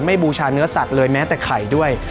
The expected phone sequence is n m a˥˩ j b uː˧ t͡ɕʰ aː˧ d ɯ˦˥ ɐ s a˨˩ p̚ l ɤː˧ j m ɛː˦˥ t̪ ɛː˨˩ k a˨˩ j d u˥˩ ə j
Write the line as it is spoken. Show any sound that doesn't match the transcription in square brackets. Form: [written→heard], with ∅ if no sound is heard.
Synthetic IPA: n m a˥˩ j b uː˧ t͡ɕʰ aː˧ [d→n] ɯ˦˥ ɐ s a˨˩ [p̚→k̚] l ɤː˧ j m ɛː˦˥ t̪ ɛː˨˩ [k→kʰ] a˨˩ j d u˥˩ ə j